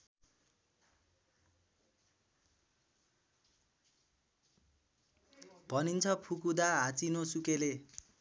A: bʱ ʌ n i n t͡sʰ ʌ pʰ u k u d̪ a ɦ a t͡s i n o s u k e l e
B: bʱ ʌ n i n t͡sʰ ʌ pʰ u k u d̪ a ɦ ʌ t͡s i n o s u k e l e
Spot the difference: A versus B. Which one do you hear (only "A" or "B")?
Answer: A